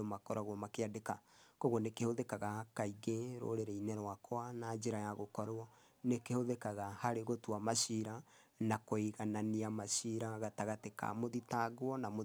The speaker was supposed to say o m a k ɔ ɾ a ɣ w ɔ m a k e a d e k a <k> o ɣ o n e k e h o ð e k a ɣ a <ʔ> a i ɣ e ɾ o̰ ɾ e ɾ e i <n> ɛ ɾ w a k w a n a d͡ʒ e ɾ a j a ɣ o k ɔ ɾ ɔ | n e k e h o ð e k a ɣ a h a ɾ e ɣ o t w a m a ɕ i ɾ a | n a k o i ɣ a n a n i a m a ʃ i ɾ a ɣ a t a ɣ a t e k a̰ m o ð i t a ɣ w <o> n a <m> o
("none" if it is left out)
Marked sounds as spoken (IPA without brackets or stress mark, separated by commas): k, k, n, ɔ, m